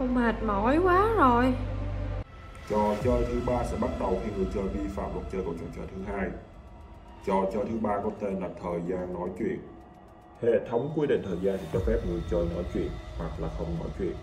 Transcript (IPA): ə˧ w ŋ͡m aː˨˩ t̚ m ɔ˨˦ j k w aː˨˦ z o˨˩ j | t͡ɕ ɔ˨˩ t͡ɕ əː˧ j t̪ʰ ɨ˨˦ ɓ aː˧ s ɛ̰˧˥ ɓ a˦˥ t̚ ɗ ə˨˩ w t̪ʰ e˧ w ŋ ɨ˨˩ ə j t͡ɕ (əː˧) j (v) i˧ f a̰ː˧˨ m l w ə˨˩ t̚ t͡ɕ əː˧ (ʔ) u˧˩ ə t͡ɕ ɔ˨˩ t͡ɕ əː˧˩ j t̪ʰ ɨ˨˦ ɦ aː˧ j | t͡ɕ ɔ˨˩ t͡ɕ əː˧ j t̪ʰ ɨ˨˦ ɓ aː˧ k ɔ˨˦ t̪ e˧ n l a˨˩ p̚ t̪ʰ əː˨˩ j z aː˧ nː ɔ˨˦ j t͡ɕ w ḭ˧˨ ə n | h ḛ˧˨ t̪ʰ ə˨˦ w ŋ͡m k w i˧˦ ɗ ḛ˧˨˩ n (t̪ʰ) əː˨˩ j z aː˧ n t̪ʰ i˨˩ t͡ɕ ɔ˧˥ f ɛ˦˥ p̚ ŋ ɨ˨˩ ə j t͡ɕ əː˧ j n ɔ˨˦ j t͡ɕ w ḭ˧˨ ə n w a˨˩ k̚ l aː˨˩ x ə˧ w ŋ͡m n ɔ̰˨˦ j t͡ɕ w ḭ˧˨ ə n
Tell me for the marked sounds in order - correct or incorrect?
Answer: correct, correct, incorrect, correct

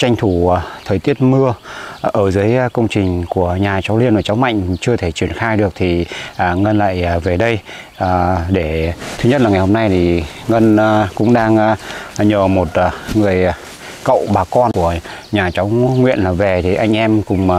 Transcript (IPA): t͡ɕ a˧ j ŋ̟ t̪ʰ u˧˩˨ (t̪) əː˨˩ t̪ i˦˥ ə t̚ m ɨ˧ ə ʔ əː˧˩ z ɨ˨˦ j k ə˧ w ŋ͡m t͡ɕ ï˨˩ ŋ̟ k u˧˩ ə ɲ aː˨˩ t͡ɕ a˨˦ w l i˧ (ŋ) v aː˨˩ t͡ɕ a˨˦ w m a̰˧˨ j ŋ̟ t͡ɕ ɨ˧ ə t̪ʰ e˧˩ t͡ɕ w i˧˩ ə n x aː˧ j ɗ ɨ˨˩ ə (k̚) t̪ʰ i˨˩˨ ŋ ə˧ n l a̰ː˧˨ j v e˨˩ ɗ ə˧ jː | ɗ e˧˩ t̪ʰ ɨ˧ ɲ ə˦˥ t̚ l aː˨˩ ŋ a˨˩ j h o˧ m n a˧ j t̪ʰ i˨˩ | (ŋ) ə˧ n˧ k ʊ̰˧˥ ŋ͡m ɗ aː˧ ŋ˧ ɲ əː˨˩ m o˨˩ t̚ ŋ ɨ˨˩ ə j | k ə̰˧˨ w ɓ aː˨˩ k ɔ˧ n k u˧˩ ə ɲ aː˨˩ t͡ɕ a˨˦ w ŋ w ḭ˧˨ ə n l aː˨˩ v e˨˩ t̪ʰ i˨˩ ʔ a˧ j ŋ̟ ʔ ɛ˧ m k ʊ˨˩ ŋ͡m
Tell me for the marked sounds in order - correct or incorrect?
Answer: incorrect, incorrect, correct, correct

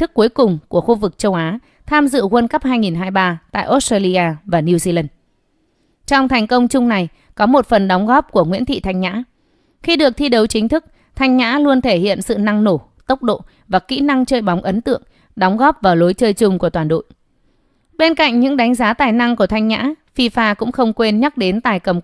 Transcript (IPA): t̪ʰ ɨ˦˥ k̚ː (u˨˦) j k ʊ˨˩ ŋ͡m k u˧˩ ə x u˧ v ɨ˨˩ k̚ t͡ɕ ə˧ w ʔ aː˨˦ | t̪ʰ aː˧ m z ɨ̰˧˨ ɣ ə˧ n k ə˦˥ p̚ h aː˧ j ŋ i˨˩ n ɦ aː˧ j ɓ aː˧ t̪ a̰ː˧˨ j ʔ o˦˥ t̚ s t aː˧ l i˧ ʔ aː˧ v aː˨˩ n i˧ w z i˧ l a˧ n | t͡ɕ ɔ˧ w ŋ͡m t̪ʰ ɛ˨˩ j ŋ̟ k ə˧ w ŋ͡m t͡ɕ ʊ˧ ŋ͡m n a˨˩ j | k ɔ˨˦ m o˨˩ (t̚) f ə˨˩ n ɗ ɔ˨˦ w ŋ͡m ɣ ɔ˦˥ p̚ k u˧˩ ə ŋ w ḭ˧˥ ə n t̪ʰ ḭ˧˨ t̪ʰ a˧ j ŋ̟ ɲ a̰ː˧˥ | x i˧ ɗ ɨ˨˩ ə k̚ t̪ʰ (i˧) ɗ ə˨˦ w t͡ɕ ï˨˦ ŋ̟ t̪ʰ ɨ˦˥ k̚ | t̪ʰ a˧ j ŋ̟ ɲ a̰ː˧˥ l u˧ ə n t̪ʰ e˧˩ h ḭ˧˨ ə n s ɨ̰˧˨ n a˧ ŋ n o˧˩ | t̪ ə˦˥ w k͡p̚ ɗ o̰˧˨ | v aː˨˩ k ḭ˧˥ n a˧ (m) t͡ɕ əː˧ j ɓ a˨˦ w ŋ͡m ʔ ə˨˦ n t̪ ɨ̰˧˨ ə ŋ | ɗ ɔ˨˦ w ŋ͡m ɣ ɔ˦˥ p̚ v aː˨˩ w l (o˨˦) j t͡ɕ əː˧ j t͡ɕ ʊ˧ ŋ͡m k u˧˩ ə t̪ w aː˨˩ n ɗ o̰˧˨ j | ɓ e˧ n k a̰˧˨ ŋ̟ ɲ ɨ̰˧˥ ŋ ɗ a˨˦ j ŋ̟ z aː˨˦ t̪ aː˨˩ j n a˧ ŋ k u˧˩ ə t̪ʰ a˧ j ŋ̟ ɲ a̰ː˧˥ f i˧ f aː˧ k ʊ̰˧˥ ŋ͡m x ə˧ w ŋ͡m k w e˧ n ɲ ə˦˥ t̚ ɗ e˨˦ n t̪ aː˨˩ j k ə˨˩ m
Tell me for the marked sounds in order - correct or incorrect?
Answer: correct, correct, correct, incorrect, correct

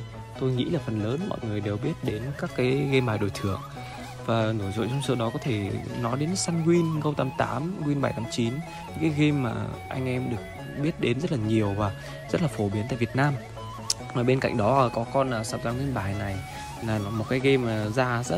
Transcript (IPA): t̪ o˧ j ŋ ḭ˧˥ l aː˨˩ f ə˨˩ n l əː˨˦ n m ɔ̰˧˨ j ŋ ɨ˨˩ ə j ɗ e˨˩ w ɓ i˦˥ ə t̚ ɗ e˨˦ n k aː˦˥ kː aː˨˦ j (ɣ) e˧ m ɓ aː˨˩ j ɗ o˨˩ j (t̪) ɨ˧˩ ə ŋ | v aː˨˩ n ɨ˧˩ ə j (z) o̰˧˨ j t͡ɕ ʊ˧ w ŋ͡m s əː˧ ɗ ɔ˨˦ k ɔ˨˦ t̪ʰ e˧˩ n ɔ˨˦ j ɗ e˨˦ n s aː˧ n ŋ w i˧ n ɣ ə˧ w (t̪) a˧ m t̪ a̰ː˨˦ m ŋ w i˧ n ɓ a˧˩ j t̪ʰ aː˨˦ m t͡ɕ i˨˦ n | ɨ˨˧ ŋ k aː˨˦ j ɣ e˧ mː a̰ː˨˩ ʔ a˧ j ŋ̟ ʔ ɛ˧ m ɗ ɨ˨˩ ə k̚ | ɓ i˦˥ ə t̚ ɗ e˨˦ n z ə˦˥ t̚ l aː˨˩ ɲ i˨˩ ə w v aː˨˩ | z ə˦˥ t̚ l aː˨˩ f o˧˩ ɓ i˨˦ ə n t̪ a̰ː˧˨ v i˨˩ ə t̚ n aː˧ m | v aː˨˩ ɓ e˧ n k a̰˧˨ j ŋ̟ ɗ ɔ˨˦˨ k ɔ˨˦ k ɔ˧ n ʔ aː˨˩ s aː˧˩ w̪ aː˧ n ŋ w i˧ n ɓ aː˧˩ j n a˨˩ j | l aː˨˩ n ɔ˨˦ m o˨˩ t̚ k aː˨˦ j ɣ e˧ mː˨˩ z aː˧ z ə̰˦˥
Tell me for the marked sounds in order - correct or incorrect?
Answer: correct, incorrect, correct, correct

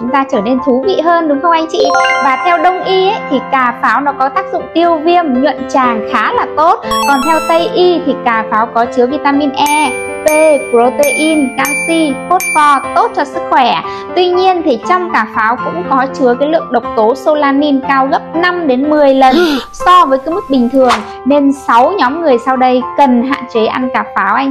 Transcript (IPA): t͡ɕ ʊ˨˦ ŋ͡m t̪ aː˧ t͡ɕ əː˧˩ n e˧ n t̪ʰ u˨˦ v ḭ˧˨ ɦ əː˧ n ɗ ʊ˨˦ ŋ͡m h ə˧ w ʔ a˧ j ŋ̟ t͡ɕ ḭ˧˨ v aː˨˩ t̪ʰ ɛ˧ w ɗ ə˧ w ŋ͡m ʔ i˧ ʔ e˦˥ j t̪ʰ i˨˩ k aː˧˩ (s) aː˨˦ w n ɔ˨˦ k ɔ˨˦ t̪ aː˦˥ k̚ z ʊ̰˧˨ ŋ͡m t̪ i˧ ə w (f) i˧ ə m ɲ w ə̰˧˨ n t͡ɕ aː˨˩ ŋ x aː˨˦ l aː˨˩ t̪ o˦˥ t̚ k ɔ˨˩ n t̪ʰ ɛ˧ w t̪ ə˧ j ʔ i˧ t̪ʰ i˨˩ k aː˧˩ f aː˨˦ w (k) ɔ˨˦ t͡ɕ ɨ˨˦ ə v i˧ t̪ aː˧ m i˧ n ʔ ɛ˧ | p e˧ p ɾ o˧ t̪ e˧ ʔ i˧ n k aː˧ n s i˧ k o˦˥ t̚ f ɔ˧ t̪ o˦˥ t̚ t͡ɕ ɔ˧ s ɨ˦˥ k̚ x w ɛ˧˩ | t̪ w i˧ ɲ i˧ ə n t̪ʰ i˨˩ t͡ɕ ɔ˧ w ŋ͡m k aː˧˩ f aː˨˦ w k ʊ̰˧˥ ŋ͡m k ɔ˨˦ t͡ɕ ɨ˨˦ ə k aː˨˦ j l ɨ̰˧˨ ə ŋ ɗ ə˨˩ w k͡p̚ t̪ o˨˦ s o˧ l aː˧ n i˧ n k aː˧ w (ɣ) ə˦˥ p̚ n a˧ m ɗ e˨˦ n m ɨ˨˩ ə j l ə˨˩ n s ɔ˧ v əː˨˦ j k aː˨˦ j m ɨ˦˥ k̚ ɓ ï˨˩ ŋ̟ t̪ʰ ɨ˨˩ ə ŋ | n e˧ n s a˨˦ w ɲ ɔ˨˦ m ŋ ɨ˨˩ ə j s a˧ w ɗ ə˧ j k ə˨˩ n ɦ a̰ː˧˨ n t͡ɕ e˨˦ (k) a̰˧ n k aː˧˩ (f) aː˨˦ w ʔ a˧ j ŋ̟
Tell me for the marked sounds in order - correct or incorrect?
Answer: incorrect, incorrect, correct, correct, incorrect, correct

